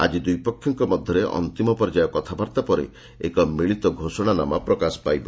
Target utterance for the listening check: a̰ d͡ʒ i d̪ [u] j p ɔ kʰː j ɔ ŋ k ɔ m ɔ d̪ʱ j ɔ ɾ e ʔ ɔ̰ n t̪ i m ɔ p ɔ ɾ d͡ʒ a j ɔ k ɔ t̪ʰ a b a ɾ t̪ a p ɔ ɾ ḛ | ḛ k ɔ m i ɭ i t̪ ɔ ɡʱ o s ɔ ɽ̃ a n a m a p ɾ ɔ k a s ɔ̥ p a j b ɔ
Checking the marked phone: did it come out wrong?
no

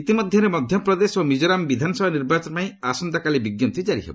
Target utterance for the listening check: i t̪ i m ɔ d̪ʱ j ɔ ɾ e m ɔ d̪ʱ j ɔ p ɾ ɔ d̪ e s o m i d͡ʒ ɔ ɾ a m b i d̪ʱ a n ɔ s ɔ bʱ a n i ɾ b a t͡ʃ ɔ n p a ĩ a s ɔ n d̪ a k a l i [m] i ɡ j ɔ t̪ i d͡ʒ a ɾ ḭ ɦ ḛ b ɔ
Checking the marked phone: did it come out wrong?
yes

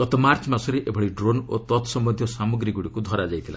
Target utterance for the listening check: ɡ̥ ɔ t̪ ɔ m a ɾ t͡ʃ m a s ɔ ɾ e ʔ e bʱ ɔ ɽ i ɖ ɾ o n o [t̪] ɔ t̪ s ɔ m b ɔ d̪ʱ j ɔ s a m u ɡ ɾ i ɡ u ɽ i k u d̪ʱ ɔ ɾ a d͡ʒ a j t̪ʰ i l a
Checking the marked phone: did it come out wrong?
no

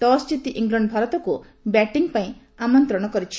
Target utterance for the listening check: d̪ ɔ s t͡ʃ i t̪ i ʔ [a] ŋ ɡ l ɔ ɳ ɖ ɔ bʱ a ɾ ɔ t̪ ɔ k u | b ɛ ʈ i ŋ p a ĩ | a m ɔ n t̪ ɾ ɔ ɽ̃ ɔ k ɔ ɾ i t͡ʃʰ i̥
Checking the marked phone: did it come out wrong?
yes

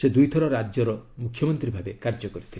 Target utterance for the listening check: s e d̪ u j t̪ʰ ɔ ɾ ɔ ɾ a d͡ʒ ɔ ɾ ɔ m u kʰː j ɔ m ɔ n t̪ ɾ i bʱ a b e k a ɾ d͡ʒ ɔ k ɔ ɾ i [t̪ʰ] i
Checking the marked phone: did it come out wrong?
no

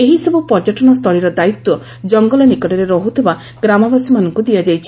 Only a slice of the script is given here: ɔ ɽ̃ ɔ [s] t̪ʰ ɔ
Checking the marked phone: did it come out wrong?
no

